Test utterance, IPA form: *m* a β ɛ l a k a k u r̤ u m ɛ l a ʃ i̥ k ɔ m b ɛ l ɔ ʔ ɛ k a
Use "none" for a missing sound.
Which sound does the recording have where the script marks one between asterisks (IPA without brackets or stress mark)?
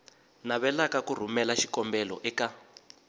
n